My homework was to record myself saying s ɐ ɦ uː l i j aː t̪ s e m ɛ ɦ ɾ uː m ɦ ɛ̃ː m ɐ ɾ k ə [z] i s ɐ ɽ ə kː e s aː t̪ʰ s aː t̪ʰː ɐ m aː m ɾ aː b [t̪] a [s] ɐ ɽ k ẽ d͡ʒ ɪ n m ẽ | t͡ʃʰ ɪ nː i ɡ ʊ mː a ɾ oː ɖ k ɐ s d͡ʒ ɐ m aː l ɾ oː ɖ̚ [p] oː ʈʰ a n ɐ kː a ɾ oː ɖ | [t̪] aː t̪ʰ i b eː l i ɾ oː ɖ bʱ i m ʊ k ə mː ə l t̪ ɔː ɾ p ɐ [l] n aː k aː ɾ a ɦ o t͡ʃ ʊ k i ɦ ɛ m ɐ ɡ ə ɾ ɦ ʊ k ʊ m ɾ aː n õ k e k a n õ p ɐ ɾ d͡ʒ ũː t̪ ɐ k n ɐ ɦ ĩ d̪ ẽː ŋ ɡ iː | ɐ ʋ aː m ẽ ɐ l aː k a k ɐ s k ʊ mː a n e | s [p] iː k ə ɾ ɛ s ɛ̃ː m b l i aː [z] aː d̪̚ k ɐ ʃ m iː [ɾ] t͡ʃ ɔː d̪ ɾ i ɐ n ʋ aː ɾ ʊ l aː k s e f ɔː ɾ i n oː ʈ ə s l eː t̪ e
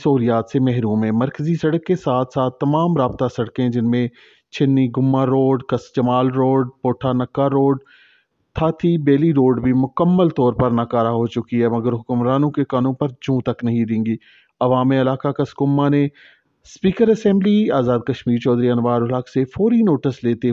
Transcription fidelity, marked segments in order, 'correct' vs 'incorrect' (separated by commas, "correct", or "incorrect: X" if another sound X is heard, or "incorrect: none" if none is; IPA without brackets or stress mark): correct, correct, correct, correct, incorrect: t̪ʰ, incorrect: ɾ, correct, correct, correct